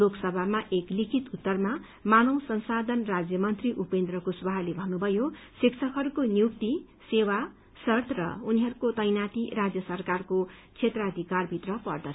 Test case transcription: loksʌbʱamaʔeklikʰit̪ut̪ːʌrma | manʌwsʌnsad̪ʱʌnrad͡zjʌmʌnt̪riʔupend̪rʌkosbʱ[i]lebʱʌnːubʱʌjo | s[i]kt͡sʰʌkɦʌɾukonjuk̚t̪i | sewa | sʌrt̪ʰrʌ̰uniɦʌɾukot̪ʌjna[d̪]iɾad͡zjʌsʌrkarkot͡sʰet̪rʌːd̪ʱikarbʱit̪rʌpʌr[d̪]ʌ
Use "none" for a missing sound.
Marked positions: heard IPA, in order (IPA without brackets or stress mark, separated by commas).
a, i, t̪, d̪